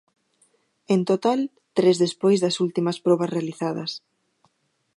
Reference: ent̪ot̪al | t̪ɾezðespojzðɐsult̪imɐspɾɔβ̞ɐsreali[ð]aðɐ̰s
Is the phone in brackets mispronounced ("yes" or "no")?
yes